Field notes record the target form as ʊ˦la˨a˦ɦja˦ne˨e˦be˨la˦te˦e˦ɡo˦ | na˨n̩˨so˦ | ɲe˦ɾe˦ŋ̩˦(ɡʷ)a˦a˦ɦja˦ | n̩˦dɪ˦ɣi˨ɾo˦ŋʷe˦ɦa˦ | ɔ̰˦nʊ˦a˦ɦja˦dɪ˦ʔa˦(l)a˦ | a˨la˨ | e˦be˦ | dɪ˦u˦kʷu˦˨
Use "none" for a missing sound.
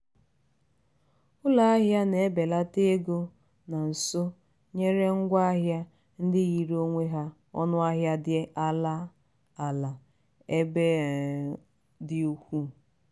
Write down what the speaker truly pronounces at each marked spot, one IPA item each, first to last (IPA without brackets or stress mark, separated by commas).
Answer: ɡʷ, l